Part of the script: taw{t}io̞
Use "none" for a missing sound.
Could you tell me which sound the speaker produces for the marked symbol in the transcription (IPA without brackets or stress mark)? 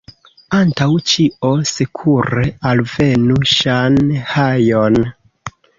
t͡ʃ